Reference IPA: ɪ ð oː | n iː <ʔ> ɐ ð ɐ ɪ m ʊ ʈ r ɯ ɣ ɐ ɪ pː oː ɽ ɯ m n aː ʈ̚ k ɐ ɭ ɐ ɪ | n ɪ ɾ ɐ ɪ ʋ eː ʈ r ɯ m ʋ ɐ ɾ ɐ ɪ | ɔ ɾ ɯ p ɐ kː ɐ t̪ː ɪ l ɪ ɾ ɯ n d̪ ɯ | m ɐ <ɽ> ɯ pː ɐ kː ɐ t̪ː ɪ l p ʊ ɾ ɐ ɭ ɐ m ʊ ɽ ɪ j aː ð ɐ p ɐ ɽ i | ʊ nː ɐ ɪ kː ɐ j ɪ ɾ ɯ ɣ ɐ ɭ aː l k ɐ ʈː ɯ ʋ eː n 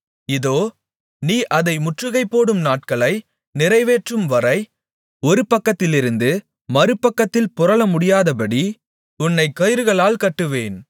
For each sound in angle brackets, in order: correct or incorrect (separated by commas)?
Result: correct, incorrect